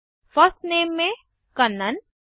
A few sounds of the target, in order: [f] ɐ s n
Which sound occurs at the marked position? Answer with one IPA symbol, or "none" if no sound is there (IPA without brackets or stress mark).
f